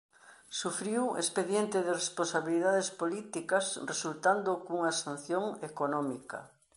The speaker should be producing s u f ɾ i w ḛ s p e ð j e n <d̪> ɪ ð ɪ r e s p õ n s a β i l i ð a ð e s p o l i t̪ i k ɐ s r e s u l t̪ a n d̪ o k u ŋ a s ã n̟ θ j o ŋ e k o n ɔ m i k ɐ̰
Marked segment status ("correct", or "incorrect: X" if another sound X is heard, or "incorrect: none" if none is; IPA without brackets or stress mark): incorrect: t̪